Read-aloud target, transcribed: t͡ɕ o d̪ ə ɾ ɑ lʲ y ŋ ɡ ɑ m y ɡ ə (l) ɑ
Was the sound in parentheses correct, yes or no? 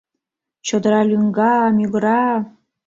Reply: no